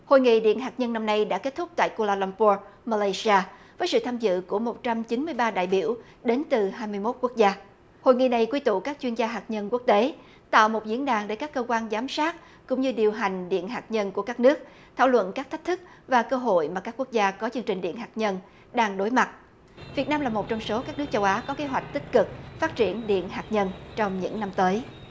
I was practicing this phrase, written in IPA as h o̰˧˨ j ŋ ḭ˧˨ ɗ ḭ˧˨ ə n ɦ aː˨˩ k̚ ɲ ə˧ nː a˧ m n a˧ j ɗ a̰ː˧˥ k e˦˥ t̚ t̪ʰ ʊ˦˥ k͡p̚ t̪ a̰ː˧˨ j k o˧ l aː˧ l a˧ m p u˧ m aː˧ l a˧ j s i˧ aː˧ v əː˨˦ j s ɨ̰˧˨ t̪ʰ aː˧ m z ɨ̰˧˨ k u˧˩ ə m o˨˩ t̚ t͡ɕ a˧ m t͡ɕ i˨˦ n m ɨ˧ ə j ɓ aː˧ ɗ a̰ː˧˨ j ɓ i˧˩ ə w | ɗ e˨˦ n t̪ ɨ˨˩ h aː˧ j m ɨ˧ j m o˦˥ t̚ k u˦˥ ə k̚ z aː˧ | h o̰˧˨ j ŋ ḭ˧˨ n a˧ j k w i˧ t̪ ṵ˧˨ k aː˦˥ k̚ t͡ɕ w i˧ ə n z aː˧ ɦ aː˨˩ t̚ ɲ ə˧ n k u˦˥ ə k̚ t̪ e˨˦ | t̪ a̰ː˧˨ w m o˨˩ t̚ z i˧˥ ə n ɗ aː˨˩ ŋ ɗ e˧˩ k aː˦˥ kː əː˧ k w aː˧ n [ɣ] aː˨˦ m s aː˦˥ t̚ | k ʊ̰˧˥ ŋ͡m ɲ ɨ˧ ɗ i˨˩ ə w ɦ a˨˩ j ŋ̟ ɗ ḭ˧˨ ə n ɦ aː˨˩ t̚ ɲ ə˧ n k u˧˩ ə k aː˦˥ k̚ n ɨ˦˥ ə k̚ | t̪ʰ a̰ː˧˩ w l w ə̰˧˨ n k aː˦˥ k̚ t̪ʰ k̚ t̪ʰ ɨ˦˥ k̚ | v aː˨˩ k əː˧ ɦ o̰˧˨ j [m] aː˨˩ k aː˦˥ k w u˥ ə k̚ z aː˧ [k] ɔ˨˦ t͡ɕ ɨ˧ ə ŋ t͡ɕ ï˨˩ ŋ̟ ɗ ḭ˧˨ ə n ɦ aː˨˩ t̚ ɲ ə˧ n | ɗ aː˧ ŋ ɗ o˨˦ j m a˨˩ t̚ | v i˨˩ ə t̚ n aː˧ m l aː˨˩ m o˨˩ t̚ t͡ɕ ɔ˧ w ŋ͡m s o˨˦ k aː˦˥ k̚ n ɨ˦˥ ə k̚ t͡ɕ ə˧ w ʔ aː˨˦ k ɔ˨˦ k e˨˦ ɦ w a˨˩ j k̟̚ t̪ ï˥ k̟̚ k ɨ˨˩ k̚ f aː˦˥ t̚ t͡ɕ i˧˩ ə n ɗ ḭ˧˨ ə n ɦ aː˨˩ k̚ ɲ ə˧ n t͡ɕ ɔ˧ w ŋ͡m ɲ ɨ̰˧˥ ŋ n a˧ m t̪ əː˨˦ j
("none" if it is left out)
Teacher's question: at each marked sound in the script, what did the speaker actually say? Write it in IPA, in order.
z, m, k

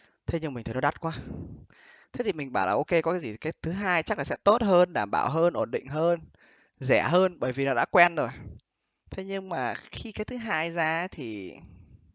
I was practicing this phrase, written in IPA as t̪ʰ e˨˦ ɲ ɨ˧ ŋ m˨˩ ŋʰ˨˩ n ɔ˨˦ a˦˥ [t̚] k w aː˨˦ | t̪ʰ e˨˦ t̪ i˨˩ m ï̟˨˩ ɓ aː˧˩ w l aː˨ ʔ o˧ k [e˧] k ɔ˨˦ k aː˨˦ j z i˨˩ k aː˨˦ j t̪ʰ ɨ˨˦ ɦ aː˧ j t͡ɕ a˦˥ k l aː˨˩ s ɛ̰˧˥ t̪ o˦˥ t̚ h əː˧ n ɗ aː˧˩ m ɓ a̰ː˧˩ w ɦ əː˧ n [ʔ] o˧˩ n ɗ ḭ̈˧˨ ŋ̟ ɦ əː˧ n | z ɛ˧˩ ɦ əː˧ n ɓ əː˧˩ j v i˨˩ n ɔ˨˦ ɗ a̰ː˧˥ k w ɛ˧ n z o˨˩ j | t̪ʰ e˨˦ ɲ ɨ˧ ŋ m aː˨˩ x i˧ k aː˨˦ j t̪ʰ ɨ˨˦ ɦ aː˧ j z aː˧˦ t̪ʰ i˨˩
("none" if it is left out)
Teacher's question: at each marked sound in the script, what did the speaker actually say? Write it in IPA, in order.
t̚, e˧, ʔ

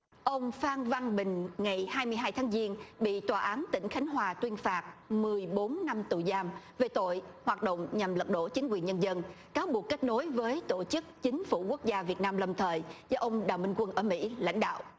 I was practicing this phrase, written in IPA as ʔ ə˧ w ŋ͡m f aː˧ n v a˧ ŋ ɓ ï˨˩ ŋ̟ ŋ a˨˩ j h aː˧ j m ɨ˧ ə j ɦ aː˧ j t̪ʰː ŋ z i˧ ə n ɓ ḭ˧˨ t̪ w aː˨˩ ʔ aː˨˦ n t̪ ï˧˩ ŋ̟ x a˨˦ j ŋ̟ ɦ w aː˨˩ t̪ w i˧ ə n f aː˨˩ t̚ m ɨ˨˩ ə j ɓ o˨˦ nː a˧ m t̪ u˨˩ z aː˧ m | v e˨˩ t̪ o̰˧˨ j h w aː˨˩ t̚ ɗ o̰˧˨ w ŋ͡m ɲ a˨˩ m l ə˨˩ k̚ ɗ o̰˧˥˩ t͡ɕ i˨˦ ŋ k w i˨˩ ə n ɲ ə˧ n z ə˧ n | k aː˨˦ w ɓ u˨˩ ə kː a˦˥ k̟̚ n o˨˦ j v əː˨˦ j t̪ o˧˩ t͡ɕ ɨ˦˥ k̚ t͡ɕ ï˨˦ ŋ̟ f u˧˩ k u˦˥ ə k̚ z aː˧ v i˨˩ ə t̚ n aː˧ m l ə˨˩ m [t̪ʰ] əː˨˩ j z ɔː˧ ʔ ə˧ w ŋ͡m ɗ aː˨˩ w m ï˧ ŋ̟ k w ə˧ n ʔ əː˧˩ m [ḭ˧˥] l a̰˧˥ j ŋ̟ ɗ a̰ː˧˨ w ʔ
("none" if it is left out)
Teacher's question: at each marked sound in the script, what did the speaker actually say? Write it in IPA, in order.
t̪ʰ, ḭ˧˥

